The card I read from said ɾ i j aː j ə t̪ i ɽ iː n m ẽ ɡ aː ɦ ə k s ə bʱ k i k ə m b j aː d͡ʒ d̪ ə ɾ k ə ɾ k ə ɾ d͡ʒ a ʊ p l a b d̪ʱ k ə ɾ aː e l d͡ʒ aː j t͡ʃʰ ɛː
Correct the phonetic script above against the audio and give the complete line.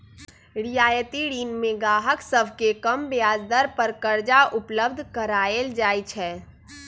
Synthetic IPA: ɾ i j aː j ə t̪ i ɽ iː n m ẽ ɡ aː ɦ ə k s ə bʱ k e k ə m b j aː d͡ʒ d̪ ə ɾ p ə ɾ k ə ɾ d͡ʒ a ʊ p l ə b d̪ʱ k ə ɾ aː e l d͡ʒ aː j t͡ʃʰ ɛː